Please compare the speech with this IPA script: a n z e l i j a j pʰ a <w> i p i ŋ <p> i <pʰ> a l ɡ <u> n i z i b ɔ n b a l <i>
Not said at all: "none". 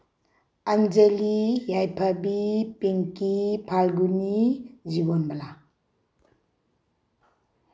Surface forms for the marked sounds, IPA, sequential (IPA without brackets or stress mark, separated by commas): b, k, pʰ, u, a